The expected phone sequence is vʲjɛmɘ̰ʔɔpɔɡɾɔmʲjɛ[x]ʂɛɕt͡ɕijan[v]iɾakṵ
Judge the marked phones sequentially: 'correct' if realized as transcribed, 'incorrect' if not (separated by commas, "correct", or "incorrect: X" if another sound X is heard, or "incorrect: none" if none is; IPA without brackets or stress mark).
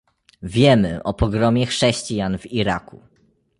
correct, correct